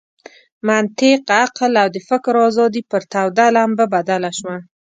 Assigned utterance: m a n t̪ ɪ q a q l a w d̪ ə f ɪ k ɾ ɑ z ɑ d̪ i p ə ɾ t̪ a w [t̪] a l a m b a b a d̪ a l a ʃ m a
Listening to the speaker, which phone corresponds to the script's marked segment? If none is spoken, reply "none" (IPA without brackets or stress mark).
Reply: d̪